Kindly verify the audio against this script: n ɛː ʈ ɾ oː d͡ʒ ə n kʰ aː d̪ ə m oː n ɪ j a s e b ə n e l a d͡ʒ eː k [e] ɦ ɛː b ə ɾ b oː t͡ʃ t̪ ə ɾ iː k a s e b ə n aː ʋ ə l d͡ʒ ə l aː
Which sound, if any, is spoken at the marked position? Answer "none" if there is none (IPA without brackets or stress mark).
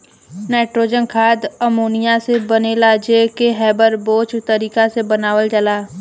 e